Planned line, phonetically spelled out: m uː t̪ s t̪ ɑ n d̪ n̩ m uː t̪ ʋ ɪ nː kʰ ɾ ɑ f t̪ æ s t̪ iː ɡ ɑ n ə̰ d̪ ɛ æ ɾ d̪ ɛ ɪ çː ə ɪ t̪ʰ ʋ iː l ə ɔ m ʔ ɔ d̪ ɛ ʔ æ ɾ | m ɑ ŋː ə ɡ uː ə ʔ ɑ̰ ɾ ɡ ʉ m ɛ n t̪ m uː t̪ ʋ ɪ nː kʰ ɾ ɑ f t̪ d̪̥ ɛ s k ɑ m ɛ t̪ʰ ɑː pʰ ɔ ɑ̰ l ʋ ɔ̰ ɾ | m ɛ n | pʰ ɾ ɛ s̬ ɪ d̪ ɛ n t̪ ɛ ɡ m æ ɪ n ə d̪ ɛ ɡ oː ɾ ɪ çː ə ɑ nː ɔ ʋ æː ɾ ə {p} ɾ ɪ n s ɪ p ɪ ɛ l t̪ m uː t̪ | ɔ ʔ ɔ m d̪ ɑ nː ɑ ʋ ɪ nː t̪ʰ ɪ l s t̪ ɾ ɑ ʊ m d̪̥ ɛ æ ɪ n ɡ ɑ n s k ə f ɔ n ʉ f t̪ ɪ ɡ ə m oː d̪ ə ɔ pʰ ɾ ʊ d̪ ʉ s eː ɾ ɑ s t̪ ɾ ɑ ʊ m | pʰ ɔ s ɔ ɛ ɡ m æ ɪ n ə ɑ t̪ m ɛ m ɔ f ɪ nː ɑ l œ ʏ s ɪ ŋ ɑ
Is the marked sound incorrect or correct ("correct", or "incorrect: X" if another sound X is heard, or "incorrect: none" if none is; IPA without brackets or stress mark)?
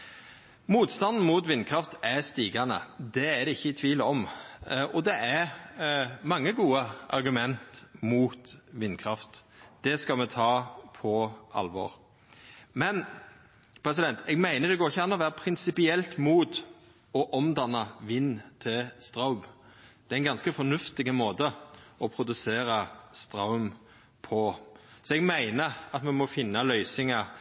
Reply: incorrect: pʰ